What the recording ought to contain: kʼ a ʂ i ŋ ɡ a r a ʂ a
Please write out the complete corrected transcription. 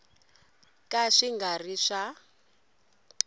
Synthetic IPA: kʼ a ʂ i ŋ ɡ a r i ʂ a